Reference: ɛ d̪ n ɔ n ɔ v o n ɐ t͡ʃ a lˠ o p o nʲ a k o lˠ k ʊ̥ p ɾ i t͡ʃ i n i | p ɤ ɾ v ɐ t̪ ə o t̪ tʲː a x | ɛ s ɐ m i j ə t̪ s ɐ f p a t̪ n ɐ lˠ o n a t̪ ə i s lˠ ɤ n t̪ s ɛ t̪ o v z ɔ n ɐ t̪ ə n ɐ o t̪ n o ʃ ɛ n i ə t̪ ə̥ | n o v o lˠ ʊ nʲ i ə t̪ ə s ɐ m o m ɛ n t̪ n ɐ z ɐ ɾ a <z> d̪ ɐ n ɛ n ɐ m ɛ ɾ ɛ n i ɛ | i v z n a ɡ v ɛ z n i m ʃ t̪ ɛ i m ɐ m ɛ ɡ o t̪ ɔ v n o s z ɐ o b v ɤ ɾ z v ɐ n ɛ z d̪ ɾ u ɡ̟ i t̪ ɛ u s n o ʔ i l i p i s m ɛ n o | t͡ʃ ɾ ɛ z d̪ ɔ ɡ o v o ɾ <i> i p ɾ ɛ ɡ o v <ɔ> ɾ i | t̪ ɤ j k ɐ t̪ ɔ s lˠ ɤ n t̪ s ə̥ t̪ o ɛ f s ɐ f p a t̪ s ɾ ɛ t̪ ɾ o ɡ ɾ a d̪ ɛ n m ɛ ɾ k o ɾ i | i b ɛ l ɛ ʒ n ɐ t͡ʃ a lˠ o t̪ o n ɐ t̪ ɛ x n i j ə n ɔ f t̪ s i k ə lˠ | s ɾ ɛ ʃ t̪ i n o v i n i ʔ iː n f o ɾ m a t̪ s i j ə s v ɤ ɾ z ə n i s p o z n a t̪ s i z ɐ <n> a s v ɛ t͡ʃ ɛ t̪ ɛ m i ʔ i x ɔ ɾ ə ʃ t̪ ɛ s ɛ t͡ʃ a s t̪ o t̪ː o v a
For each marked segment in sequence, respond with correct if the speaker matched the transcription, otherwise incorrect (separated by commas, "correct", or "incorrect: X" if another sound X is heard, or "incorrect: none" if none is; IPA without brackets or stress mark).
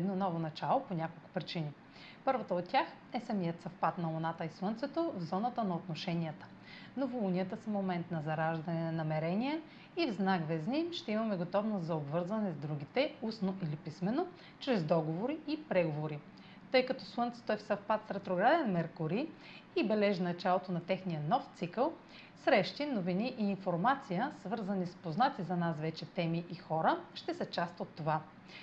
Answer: incorrect: ʒ, correct, incorrect: o, correct